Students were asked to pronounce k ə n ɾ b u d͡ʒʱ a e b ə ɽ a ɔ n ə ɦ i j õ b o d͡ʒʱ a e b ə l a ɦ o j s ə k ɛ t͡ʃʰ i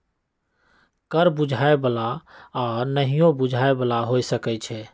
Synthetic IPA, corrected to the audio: k ə ɾ b u d͡ʒʱ a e b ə l a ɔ n ə ɦ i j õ b u d͡ʒʱ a e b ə l a ɦ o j s ə k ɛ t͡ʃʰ ɛ